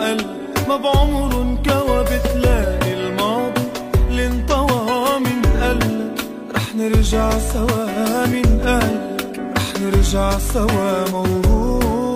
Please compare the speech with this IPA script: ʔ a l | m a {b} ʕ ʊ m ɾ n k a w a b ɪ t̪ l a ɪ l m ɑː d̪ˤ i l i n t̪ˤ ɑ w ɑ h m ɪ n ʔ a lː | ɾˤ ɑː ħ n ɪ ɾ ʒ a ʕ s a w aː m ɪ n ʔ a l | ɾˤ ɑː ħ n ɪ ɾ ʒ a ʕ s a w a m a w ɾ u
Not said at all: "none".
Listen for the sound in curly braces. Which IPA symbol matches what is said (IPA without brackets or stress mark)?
b